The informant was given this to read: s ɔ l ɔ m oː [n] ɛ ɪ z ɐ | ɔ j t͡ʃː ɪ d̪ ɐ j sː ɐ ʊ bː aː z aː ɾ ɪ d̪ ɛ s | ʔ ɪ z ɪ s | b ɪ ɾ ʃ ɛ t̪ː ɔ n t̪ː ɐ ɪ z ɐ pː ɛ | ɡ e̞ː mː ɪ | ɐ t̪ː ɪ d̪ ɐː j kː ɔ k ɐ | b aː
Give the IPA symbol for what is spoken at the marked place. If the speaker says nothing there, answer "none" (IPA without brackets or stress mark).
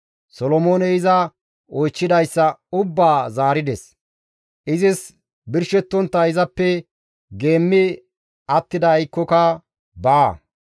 n